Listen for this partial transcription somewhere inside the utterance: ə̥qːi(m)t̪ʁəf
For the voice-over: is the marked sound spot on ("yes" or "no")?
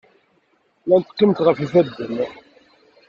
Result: yes